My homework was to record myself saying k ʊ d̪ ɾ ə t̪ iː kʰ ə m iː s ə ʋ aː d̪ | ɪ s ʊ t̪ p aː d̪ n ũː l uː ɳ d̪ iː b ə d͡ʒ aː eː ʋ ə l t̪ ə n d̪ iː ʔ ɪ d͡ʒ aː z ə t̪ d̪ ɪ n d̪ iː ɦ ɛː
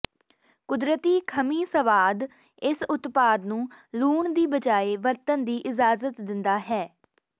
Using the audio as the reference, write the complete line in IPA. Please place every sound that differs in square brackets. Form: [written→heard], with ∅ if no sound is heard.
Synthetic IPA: k ʊ d̪ ɾ ə t̪ iː kʰ ə m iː s ə ʋ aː d̪ | ɪ s ʊ t̪ p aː d̪ n ũː l uː ɳ d̪ iː b ə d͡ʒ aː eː ʋ ə [l→ɾ] t̪ ə n d̪ iː ʔ ɪ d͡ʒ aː z ə t̪ d̪ ɪ n d̪ [iː→aː] ɦ ɛː